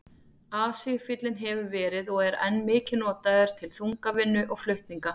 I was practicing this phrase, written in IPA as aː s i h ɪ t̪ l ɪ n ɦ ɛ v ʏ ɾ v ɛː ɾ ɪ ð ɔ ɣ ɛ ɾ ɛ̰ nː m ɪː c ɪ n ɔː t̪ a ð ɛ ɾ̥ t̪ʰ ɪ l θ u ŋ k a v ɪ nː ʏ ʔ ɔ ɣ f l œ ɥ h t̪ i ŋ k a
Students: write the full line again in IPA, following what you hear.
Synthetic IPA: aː s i f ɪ t̪ l ɪ n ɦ ɛ v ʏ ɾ v ɛː ɾ ɪ ð ɔ ɣ ɛ ɾ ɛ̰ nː m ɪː c ɪ n ɔː t̪ a ð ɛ ɾ̥ t̪ʰ ɪ l θ u ŋ k a v ɪ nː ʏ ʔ ɔ ɣ f l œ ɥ h t̪ i ŋ k a